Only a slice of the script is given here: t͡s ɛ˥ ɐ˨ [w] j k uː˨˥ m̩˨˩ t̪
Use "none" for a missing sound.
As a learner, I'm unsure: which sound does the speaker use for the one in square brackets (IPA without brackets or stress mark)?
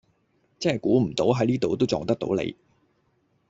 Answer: none